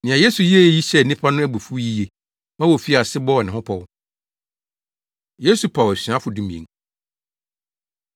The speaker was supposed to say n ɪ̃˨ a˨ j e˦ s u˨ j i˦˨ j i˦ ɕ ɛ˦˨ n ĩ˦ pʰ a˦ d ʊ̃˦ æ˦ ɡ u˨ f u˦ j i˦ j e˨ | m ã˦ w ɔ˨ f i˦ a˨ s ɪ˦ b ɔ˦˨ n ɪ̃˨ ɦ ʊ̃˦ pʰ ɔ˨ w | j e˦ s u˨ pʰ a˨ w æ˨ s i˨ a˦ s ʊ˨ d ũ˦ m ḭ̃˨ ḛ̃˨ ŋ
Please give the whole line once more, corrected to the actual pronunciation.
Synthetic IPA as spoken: n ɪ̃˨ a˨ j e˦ s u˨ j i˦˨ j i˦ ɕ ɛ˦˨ n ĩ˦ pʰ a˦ n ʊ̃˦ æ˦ b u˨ f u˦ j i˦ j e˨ | m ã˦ w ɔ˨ f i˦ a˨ s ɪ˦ b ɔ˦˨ n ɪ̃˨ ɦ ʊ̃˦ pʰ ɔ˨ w | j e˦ s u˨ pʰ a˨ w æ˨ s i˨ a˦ f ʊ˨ d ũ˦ m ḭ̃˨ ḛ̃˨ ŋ